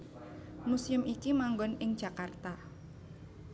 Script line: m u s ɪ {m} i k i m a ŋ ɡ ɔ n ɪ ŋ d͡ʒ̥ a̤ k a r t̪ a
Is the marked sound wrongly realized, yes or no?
no